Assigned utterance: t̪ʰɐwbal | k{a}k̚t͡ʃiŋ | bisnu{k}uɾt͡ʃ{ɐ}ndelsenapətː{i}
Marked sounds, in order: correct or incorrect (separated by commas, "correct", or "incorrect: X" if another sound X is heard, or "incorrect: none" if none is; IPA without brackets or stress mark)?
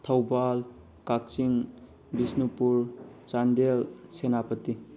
correct, incorrect: p, incorrect: a, correct